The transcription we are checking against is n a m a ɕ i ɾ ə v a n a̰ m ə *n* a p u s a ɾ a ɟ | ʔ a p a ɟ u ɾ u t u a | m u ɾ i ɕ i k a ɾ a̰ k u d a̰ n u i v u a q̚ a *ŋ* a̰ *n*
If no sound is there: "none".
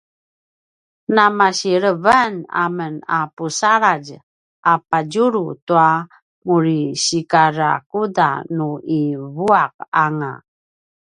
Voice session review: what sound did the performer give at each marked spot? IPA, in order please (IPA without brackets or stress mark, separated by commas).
n, ŋ, none